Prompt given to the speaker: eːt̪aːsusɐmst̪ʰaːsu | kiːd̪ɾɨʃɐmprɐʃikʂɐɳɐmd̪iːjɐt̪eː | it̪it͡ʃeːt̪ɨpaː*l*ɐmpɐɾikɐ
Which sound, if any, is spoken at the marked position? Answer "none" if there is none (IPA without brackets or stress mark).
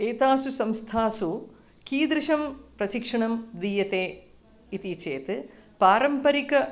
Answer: ɾ